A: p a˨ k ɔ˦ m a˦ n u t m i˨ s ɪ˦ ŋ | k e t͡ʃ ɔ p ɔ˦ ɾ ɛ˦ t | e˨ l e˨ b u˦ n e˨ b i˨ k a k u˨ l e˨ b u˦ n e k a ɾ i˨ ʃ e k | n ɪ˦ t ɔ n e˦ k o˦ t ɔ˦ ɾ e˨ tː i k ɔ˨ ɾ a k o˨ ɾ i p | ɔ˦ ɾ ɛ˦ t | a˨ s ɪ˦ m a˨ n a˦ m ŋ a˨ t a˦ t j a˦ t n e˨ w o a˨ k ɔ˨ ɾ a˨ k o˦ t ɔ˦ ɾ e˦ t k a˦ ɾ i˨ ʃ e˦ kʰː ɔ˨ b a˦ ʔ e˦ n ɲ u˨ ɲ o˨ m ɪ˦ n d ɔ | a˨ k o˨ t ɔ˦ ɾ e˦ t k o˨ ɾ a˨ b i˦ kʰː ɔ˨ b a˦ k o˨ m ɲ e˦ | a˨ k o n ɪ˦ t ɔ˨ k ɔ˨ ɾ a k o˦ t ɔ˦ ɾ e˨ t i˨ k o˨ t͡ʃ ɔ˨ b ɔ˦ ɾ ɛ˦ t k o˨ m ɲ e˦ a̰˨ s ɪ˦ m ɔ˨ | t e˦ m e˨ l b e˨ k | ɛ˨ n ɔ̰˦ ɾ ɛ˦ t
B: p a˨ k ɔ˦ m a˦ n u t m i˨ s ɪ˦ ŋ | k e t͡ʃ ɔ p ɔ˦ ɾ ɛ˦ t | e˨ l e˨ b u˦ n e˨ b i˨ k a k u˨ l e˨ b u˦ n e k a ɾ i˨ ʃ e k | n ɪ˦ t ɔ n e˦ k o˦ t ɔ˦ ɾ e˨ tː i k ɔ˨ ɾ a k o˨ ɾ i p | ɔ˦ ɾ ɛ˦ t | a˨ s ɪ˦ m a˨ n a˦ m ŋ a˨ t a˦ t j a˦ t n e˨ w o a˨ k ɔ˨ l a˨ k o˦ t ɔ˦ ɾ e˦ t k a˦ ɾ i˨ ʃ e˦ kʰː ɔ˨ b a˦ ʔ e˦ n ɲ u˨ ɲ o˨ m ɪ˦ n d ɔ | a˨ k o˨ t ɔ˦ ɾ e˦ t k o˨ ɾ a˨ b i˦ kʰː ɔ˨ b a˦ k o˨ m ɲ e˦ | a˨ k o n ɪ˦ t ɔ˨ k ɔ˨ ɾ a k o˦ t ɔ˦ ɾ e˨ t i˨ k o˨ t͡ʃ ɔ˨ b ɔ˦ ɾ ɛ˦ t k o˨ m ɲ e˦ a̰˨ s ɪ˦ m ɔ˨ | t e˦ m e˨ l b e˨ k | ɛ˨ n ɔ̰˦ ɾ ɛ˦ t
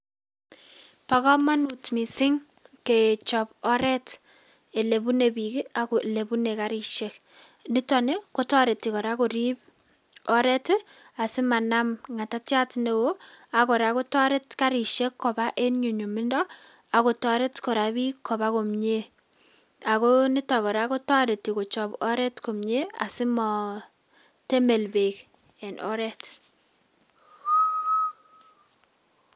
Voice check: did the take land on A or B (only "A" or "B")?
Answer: A